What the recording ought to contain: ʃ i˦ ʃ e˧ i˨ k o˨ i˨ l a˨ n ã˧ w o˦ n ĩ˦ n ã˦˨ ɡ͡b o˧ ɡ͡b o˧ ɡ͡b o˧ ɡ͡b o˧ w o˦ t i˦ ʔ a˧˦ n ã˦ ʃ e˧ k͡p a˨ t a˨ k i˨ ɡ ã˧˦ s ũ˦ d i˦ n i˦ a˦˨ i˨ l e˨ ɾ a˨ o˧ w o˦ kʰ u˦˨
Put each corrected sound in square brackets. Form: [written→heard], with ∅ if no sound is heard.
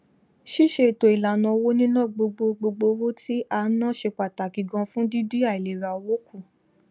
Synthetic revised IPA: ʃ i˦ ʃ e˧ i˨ [k→t] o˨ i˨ l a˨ n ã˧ w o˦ n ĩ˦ n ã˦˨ ɡ͡b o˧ ɡ͡b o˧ ɡ͡b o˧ ɡ͡b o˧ w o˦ t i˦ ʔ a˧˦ n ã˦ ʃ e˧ k͡p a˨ t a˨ k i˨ ɡ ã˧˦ [s→f] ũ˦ d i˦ [n→d] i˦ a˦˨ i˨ l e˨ ɾ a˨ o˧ w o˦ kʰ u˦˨